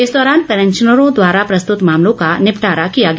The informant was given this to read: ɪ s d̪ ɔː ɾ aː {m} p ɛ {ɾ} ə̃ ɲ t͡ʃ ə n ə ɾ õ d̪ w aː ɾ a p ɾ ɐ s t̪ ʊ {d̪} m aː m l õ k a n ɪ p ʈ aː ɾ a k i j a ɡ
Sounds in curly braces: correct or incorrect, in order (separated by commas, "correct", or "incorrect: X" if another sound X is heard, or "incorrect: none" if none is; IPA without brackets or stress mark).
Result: incorrect: n, correct, incorrect: t̪